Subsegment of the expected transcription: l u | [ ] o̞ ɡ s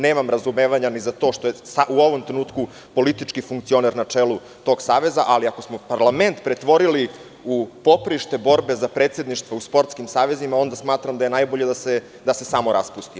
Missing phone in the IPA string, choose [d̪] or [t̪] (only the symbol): t̪